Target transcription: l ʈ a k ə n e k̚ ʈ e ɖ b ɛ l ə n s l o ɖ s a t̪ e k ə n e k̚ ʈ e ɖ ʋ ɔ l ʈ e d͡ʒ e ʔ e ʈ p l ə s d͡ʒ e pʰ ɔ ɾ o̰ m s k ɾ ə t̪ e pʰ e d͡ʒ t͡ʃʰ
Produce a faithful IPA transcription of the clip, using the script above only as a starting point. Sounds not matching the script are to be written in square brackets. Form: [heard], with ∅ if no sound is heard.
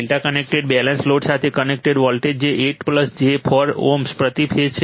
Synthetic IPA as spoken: l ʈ a k ə n e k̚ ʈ e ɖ b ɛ l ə n s l o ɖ s a [t̪ʰ] e k ə n e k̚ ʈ e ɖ ʋ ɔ l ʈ e d͡ʒ e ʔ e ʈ p l ə s d͡ʒ e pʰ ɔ ɾ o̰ m s [p] ɾ ə t̪ [i] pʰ e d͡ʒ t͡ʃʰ